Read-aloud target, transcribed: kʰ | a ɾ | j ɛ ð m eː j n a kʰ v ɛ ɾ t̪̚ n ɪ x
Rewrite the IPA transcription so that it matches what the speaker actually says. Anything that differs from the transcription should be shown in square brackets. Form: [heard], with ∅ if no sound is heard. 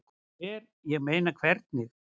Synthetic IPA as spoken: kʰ | [ɛ] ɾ | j ɛ [ɣ] m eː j n a kʰ v ɛ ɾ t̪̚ n ɪ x